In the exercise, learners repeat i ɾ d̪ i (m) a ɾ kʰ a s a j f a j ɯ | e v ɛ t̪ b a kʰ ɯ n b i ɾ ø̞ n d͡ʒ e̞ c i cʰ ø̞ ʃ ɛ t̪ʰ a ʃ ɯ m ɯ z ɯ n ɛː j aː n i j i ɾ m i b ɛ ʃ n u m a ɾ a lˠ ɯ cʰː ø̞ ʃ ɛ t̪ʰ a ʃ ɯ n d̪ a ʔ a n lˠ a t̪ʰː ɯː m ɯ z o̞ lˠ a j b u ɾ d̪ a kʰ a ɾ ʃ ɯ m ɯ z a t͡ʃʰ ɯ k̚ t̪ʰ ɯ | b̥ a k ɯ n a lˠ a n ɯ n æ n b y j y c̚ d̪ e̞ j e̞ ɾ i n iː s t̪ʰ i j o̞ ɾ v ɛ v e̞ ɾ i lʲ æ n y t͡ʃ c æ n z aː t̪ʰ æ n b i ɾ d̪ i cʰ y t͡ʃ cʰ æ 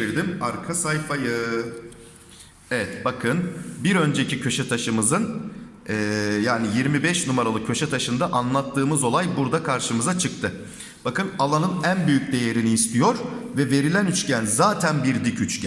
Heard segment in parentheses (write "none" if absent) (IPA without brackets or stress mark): m